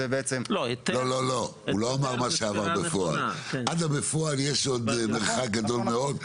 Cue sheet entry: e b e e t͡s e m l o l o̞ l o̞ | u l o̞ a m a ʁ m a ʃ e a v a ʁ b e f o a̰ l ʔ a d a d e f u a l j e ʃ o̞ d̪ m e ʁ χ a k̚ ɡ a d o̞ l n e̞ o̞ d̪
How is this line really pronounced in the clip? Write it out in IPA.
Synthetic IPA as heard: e b e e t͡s e m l o l o̞ l o̞ | u l o̞ a m a ʁ m a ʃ e a v a ʁ b e f o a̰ l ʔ a d a b e f o a l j e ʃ o̞ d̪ m e ʁ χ a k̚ ɡ a d o̞ l m e̞ o̞ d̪